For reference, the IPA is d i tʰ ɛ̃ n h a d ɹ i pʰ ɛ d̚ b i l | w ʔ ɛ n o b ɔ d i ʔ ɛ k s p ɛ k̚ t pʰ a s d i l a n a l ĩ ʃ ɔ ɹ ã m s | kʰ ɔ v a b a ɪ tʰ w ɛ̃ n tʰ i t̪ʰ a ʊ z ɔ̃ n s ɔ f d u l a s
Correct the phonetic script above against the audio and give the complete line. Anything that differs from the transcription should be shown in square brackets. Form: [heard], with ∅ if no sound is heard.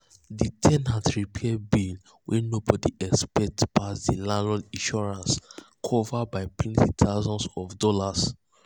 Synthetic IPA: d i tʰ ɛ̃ n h a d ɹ i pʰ ɛ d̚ b i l | w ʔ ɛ n o b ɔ d i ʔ ɛ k s p ɛ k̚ t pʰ a s d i l a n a l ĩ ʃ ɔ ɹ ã [n] s | kʰ ɔ v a b a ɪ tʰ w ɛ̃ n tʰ i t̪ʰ a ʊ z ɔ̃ n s ɔ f d [ɔ] l a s